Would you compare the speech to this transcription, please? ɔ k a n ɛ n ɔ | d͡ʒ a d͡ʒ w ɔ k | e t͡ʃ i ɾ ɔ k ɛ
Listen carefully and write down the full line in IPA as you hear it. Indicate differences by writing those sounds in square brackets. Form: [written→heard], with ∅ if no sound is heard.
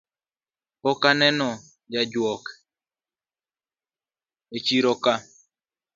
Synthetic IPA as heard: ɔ k a n ɛ n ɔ | d͡ʒ a d͡ʒ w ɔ k | e t͡ʃ i ɾ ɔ k [ɛ→a]